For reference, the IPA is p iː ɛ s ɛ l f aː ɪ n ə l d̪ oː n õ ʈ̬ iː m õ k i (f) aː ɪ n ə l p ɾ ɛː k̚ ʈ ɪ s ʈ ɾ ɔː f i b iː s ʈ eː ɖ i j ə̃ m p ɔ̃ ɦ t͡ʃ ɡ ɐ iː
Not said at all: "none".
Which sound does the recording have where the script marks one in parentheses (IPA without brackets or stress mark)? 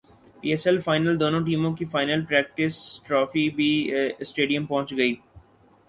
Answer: f